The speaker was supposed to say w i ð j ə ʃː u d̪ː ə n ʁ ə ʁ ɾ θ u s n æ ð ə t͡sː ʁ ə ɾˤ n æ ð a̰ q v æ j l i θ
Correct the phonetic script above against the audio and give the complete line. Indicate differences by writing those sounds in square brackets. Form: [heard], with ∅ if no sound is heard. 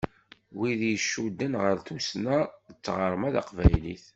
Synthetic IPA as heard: w i ð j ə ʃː u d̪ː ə n ʁ ə [∅] ɾ θ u s n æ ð ə t͡sː ʁ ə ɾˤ [m] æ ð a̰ q v æ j l i θ